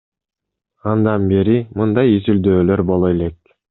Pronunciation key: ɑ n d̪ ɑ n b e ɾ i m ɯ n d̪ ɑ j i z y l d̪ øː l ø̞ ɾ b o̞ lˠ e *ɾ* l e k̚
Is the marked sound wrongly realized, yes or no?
yes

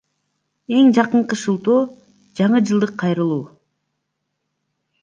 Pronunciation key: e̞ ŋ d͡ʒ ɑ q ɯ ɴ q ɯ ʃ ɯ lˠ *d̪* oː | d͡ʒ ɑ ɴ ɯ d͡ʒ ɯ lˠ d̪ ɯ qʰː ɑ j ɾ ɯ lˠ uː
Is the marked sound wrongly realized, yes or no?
yes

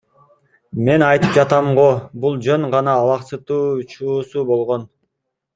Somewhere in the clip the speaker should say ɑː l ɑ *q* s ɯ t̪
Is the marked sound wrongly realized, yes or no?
no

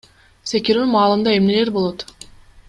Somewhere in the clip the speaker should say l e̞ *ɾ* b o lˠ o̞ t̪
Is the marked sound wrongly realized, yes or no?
no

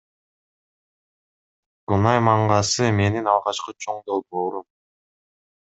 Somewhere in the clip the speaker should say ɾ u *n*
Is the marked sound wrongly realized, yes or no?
yes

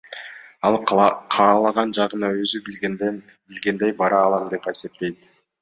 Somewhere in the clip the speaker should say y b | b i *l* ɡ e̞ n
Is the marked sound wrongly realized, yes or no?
no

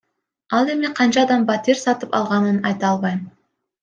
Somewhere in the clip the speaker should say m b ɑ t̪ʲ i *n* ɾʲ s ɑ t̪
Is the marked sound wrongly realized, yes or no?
yes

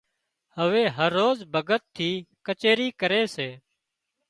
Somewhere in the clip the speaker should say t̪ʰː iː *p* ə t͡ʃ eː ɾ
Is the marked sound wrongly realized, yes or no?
yes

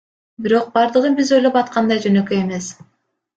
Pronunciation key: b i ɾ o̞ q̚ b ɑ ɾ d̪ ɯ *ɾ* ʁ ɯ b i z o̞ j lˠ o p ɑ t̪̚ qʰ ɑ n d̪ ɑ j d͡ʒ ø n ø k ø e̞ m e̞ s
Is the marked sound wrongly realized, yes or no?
yes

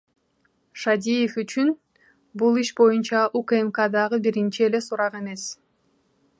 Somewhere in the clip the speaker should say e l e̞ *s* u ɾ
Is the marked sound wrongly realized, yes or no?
no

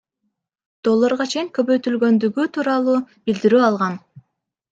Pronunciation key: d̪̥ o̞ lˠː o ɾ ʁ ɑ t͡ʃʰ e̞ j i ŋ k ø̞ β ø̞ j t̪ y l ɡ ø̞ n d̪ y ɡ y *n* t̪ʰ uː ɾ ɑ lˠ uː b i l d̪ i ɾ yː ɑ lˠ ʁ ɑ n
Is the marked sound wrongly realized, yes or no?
yes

